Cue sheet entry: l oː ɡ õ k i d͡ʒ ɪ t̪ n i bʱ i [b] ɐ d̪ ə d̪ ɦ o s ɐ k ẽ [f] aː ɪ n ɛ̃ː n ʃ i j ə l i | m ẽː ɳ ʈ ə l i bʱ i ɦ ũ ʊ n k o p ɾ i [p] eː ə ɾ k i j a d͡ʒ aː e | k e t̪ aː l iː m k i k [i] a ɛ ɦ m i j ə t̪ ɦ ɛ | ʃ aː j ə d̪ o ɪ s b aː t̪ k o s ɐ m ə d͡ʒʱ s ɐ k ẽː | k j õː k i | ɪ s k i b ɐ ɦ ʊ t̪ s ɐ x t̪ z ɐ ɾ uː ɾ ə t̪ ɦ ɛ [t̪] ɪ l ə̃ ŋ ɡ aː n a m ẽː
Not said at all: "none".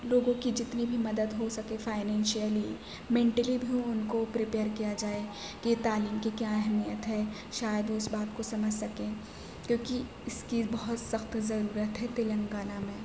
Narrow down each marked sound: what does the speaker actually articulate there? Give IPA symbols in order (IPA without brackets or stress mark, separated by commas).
m, f, p, j, t̪